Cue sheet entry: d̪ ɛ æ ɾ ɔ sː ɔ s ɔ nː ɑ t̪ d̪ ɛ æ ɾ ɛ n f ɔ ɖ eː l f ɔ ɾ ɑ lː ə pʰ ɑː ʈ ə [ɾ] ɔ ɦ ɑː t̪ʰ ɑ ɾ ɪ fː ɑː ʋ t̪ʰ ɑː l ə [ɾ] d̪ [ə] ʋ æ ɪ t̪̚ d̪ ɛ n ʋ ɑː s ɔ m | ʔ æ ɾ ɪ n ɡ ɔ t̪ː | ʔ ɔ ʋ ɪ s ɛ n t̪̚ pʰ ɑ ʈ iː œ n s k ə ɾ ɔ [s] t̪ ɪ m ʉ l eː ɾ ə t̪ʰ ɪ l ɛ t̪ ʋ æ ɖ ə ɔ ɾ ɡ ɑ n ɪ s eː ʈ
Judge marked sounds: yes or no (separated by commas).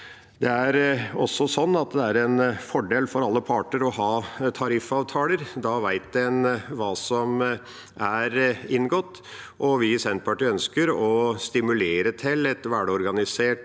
yes, yes, no, yes